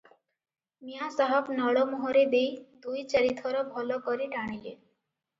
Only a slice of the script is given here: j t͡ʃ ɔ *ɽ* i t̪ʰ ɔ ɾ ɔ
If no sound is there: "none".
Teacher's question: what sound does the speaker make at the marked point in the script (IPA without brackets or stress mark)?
ɾ